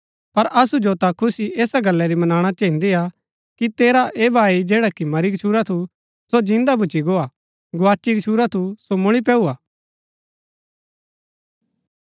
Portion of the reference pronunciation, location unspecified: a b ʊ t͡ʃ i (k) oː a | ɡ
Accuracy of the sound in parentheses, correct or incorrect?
incorrect: ɡ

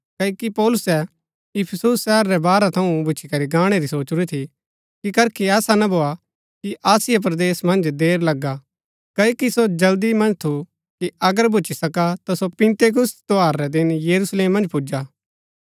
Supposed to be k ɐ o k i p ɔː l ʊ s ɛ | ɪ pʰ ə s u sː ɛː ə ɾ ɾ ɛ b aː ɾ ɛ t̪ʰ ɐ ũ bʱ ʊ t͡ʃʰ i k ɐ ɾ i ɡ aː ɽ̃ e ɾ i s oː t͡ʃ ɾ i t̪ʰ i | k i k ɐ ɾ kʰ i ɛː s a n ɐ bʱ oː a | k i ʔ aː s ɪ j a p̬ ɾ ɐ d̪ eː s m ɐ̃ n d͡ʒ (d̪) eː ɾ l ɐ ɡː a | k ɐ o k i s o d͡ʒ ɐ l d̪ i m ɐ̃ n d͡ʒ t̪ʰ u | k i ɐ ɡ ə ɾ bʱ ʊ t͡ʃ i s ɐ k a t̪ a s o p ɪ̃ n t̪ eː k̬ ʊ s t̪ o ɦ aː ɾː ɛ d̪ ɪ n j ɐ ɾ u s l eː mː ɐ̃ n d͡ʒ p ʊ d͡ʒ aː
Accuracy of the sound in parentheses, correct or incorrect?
correct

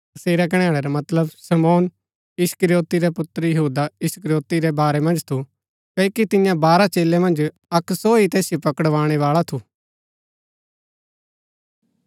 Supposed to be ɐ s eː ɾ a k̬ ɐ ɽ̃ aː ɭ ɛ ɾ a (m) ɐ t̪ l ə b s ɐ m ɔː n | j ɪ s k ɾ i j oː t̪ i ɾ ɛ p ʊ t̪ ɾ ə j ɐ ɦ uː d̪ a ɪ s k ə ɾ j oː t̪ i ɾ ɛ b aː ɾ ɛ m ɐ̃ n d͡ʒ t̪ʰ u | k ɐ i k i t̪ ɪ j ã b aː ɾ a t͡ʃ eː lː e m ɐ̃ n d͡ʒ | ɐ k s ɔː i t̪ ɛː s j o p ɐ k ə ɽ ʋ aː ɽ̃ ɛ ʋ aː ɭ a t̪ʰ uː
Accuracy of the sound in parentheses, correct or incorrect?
correct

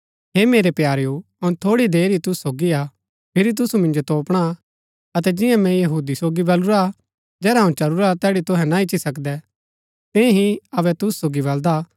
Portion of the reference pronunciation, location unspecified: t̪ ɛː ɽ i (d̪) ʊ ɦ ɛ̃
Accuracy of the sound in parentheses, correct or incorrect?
incorrect: t̪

